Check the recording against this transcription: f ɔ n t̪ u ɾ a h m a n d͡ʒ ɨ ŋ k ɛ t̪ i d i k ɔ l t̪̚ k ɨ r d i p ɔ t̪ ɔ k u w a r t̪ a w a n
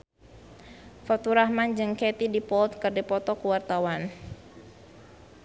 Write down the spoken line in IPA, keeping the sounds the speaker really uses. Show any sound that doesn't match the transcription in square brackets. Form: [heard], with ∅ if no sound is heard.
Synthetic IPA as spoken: f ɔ [∅] t̪ u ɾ a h m a n d͡ʒ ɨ ŋ k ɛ t̪ i d i [p] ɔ l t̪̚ k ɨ r d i p ɔ t̪ ɔ k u w a r t̪ a w a n